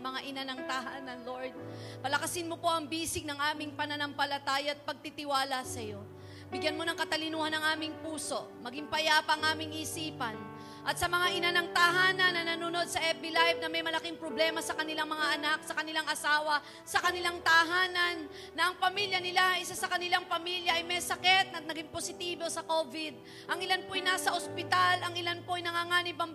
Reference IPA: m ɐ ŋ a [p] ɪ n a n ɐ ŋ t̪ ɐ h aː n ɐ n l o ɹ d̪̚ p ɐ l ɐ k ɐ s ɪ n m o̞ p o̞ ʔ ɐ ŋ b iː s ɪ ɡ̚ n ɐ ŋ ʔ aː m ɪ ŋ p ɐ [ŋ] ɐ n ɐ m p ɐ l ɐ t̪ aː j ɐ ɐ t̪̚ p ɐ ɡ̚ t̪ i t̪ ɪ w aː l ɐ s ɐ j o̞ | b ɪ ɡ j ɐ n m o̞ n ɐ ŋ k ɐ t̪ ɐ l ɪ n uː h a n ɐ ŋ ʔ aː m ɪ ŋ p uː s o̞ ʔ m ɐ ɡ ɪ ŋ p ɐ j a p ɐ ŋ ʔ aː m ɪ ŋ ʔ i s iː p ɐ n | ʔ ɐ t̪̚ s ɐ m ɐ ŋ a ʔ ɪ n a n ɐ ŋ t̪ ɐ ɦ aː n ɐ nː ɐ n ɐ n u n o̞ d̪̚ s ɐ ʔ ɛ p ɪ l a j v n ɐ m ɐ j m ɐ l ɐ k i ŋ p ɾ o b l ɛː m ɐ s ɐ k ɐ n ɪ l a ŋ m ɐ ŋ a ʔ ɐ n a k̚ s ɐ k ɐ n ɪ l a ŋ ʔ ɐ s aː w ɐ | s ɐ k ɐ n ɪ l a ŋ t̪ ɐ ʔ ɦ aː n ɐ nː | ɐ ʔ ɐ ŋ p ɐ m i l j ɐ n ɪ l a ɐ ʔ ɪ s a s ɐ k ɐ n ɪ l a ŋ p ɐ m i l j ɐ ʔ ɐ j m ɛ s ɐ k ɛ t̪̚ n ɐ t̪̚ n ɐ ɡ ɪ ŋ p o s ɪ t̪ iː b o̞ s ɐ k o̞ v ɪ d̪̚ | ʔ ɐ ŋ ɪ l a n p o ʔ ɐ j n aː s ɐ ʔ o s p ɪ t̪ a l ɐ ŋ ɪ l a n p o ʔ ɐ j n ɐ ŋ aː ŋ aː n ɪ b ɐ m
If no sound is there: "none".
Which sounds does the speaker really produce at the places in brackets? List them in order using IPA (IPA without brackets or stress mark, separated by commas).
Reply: ʔ, n